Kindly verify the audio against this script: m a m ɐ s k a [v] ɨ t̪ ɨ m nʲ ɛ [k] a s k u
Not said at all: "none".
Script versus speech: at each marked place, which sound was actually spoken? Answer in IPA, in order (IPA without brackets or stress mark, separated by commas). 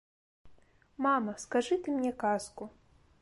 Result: ʐ, k